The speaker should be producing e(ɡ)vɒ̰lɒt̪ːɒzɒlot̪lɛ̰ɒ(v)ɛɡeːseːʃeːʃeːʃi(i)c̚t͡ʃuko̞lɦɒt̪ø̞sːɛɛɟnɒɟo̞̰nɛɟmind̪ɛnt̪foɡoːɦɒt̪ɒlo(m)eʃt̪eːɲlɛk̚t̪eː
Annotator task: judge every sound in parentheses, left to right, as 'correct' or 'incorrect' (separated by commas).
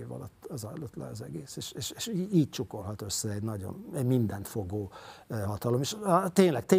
incorrect, incorrect, incorrect, correct